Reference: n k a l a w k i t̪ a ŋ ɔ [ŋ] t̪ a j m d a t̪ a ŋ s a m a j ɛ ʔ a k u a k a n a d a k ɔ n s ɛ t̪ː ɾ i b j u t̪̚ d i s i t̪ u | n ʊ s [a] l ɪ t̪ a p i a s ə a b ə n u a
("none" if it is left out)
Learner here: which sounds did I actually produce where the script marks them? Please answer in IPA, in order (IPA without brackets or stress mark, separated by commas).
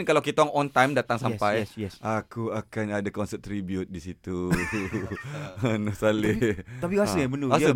n, a